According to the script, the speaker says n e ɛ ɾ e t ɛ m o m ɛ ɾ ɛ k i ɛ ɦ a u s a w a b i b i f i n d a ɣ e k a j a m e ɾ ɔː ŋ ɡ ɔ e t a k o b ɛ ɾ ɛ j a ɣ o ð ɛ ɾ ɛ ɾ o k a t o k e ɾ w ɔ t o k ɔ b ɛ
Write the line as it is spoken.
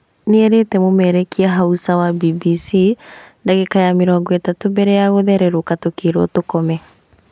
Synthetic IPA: n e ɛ ɾ e t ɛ m o m ɛ ɾ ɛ k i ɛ ɦ a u s a w a b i b i s i n d a ɣ e k a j a m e ɾ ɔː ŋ ɡ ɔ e t a t o b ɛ ɾ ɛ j a ɣ o ð ɛ ɾ ɛ ɾ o k a t o k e ɾ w ɔ t o k ɔ m ɛ